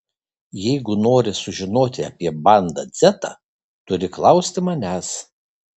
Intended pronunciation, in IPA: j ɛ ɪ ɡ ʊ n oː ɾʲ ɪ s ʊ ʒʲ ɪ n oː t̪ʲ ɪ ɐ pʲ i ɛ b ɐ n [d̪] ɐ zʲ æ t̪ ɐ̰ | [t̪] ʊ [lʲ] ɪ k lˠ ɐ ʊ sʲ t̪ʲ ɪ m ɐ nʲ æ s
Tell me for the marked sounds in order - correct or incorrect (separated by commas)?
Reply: correct, correct, incorrect